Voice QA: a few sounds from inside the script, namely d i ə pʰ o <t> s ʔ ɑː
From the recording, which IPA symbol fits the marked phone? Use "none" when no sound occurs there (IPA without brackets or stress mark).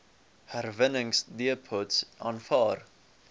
t